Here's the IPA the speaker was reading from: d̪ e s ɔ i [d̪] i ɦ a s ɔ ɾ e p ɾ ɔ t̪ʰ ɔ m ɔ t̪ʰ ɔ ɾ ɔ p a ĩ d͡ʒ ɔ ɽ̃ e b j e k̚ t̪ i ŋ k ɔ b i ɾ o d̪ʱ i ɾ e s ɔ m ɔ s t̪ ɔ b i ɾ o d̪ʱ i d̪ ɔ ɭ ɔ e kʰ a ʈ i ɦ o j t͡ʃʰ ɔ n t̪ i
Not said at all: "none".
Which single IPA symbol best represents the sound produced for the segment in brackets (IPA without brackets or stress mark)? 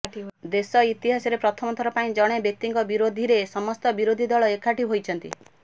t̪